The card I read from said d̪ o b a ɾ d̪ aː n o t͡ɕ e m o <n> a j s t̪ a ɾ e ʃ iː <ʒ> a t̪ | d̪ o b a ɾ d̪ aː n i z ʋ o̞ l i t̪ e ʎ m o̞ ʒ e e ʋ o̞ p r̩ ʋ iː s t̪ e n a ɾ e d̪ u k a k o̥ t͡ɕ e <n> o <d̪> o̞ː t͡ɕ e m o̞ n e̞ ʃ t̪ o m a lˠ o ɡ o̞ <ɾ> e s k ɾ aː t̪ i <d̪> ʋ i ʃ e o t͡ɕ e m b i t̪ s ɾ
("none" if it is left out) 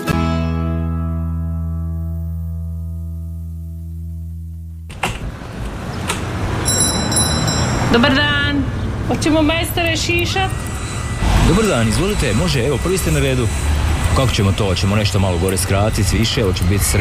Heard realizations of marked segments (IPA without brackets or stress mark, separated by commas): m, ʃ, m, t̪, ɾ, t̪